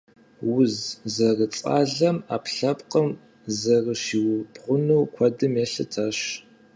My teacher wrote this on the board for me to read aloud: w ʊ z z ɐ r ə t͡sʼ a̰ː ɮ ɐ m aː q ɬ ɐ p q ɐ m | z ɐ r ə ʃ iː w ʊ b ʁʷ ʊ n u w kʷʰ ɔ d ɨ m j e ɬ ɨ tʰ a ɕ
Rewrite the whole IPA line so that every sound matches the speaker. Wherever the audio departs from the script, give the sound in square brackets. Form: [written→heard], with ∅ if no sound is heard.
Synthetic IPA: w ʊ z z ɐ r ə t͡sʼ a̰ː ɮ ɐ m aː [q→p] ɬ ɐ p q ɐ m | z ɐ r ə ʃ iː w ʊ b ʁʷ ʊ n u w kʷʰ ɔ d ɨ m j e ɬ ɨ tʰ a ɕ

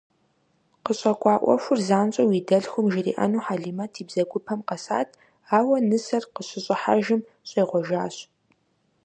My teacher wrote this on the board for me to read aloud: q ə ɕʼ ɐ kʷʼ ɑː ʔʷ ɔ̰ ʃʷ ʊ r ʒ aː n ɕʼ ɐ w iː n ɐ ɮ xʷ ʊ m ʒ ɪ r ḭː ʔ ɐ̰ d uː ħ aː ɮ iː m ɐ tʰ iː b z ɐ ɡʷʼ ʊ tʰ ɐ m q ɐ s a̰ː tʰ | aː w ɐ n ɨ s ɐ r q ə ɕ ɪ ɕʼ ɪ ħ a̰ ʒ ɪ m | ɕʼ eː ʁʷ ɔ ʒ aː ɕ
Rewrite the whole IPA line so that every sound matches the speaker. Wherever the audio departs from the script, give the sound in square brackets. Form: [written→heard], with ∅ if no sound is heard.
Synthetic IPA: q ə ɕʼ ɐ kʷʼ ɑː ʔʷ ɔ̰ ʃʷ ʊ r [ʒ→z] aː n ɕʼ ɐ w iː [n→d] ɐ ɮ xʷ ʊ m ʒ ɪ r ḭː ʔ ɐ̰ [d→n] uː ħ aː ɮ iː m ɐ tʰ iː b z ɐ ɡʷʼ ʊ [tʰ→pʰ] ɐ m q ɐ s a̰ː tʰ | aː w ɐ n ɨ s ɐ r q ə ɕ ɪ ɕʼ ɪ ħ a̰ ʒ ɪ m | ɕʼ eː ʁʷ ɔ ʒ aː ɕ

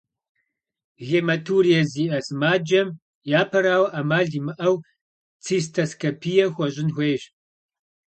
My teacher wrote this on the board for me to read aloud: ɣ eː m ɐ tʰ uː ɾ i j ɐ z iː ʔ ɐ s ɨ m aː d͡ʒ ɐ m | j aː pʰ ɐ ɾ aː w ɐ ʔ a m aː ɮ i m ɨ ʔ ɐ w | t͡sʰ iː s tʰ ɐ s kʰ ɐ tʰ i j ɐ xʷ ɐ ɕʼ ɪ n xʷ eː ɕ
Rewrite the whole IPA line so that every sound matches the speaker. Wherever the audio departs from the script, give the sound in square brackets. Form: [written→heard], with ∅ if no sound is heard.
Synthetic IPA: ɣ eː m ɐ tʰ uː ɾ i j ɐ z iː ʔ ɐ s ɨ m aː d͡ʒ ɐ m | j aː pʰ ɐ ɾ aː w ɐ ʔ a m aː ɮ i m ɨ ʔ ɐ w | t͡sʰ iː s tʰ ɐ s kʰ ɐ [tʰ→pʰ] i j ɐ xʷ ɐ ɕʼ ɪ n xʷ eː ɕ

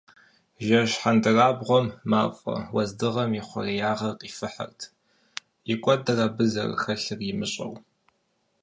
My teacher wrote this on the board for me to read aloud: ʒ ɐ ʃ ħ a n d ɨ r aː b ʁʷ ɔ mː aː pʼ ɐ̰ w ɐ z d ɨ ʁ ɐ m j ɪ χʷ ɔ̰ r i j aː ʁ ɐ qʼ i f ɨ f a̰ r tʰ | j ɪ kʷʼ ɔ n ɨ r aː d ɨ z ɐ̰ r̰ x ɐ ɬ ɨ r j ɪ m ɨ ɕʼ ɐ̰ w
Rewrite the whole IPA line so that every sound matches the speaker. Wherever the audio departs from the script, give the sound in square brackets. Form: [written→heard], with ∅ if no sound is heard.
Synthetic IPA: ʒ ɐ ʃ ħ a n d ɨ r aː b ʁʷ ɔ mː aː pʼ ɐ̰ w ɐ z d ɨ ʁ ɐ m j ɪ χʷ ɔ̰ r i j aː ʁ ɐ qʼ i f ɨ [f→ħ] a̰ r tʰ | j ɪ kʷʼ ɔ [n→d] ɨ r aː [d→b] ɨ z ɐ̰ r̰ x ɐ ɬ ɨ r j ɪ m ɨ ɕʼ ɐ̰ w

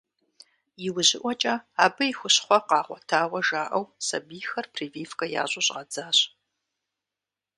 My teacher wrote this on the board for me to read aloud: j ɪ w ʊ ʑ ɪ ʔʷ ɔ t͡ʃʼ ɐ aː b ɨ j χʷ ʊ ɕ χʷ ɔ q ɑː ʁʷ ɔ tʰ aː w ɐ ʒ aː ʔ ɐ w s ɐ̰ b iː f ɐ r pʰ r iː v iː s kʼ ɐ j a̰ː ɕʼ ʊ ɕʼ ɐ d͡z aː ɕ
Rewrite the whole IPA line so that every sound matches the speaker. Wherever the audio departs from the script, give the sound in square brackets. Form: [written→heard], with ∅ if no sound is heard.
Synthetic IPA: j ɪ w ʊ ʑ ɪ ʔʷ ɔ t͡ʃʼ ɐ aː b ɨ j [χʷ→xʷ] ʊ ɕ χʷ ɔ q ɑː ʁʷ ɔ tʰ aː w ɐ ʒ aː ʔ ɐ w s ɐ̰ b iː [f→x] ɐ r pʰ r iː v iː [s→f] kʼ ɐ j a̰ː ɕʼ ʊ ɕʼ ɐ d͡z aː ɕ

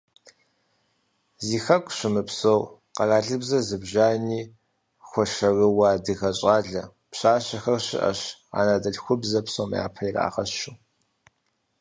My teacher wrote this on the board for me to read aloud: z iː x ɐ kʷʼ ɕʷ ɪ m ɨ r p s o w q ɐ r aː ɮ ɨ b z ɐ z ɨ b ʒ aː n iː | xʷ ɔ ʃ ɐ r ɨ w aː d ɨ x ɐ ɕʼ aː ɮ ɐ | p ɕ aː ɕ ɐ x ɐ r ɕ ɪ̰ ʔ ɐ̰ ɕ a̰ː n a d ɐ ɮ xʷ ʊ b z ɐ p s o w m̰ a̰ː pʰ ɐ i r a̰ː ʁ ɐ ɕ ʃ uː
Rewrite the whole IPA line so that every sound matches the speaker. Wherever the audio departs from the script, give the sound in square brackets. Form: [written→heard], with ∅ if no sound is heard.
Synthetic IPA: z iː x ɐ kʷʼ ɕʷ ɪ m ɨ [r→∅] p s o w q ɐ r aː ɮ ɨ b z ɐ z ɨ b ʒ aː n iː | xʷ ɔ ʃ ɐ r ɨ w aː d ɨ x ɐ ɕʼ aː ɮ ɐ | p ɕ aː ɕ ɐ x ɐ r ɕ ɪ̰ ʔ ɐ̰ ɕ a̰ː n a d ɐ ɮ xʷ ʊ b z ɐ p s o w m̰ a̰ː pʰ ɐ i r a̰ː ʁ ɐ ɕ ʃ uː

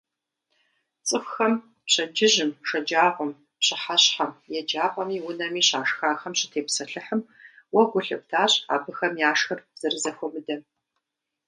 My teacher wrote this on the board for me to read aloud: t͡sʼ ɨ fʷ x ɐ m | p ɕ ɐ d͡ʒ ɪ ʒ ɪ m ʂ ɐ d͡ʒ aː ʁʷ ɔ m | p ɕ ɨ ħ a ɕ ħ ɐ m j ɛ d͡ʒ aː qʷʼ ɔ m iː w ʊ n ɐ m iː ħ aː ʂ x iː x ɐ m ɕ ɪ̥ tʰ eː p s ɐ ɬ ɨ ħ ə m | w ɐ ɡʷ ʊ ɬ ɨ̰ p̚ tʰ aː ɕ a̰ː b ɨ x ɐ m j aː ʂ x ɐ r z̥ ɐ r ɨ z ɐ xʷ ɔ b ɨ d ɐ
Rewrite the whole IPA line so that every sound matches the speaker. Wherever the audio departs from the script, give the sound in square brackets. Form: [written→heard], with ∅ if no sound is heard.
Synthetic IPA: t͡sʼ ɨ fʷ x ɐ m | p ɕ ɐ d͡ʒ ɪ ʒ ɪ m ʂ ɐ d͡ʒ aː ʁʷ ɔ m | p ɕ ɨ ħ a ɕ ħ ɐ m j ɛ d͡ʒ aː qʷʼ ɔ m iː w ʊ n ɐ m iː [ħ→ɕ] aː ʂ x [iː→aː] x ɐ m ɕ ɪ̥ tʰ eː p s ɐ ɬ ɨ ħ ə m | w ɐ ɡʷ ʊ ɬ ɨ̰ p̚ tʰ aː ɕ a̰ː b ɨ x ɐ m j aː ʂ x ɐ r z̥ ɐ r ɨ z ɐ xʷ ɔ [b→m] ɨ d ɐ

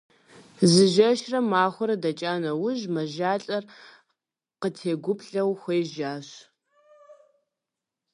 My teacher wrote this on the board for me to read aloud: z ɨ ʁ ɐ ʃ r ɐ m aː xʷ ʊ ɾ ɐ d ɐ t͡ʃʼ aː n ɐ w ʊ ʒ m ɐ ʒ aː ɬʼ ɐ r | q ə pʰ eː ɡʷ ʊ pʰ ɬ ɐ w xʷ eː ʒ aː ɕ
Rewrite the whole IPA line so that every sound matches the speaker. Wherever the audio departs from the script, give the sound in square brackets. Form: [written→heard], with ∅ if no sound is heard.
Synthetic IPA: z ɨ [ʁ→ʒ] ɐ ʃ r ɐ m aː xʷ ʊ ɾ ɐ d ɐ t͡ʃʼ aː n ɐ w ʊ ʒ m ɐ ʒ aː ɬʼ ɐ r | q ə [pʰ→tʰ] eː ɡʷ ʊ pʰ ɬ ɐ w xʷ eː ʒ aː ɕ

